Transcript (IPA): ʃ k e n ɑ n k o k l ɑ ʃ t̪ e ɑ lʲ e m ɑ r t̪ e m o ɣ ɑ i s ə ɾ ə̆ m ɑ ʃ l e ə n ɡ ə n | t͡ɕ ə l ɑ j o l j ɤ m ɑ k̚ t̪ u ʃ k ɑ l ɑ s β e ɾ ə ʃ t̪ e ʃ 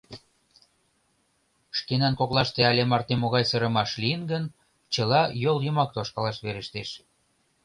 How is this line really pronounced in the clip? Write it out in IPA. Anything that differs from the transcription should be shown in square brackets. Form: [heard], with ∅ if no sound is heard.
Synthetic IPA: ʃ k e n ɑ n k o k l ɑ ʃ t̪ e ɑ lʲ e m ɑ r t̪ e m o ɣ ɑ [j] s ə ɾ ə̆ m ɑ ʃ l [i] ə n ɡ ə n | t͡ɕ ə l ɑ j o l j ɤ m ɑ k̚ t̪ [o] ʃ k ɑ l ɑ [ʃ] β e ɾ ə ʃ t̪ e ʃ

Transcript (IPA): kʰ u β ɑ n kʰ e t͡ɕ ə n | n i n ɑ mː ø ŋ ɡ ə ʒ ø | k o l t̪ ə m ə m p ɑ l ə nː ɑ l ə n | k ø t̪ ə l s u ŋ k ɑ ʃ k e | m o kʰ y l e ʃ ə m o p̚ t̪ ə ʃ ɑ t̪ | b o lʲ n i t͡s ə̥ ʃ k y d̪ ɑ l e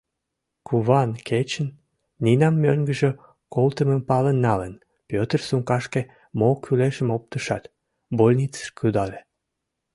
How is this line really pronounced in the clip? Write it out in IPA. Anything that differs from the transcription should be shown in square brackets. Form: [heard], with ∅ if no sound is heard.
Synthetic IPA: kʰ u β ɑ n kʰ e t͡ɕ ə n | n i n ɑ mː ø ŋ ɡ ə ʒ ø | k o l t̪ ə m ə m p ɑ l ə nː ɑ l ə n | [p] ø t̪ ə [r] s u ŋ k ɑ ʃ k e | m o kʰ y l e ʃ ə m o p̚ t̪ ə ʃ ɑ t̪ | b o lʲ n i t͡s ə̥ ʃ k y d̪ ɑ l e

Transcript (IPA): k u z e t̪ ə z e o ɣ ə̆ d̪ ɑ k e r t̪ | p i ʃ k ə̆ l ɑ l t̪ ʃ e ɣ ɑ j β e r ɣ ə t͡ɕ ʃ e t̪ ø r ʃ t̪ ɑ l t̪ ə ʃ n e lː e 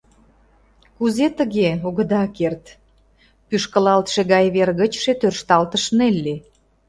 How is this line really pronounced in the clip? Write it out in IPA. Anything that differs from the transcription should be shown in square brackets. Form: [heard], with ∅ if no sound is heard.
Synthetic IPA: k u z e t̪ ə [ɣ] e o ɣ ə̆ d̪ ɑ k e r t̪ | p [y] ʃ k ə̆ l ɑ l t̪ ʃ e ɣ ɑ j β e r ɣ ə t͡ɕ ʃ e t̪ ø r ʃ t̪ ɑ l t̪ ə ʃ n e lː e

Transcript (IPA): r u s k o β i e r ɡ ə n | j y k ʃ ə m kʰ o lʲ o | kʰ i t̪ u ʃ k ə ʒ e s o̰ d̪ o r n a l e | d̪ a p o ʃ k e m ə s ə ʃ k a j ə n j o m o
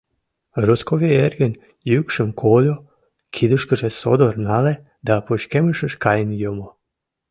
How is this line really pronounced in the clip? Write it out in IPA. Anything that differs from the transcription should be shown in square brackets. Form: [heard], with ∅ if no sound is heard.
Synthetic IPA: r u s k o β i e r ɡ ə n | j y k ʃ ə m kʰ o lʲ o | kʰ i [d̪] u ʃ k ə ʒ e s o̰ d̪ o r n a l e | d̪ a p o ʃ k e m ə [ʃ] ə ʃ k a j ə n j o m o

